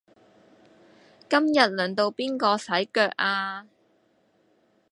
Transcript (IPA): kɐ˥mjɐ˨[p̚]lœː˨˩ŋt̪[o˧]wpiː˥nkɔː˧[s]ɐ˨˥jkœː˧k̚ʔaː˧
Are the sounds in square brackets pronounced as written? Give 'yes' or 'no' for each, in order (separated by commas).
no, yes, yes